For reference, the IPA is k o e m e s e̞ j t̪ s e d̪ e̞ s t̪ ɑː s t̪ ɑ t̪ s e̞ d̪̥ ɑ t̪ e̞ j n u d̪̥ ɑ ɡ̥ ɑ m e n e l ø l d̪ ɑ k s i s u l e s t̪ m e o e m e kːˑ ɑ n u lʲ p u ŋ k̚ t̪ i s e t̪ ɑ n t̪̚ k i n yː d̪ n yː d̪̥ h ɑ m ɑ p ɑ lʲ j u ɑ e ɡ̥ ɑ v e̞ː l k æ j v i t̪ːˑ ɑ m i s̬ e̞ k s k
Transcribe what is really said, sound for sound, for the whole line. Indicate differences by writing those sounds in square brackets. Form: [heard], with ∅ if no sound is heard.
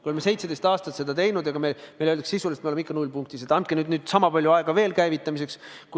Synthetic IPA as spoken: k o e m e s e̞ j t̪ s e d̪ e̞ s t̪ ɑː s t̪ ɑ t̪ s e̞ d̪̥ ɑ t̪ e̞ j n u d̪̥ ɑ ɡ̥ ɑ m e [m] e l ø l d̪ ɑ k s i s u l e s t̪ m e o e m [i] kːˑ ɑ n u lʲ p u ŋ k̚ t̪ i s e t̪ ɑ n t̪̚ k [e] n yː d̪ n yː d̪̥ [s] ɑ m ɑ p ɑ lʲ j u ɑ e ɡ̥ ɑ v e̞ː l k æ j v i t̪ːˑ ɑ m i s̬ e̞ k s k